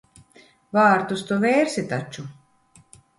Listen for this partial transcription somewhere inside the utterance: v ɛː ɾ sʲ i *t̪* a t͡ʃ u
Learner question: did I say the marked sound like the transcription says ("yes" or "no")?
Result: yes